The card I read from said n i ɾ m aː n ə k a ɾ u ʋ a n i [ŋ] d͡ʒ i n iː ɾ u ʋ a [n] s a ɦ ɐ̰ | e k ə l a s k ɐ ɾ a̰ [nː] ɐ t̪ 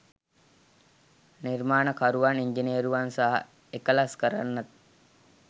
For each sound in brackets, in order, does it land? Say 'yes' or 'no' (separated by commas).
no, yes, yes